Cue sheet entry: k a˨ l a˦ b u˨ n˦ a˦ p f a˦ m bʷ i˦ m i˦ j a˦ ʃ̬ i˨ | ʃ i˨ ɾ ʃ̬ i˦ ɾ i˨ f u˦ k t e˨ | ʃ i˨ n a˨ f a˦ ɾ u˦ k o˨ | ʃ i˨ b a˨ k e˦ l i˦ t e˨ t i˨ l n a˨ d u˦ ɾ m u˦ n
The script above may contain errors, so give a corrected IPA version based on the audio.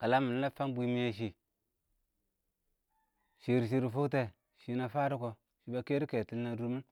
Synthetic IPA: k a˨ l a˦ m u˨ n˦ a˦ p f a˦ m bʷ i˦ m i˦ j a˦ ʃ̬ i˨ | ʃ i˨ ɾ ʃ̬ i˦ ɾ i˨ f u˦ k t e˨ | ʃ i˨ n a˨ f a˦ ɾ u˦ k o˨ | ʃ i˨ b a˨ k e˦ ɾ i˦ k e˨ t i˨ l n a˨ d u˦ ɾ m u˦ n